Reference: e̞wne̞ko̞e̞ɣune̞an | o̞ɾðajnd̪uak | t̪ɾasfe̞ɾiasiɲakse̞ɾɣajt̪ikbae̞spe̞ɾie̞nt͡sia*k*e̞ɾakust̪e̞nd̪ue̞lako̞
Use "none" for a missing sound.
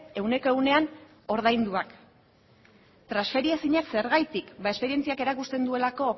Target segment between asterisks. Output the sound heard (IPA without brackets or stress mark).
k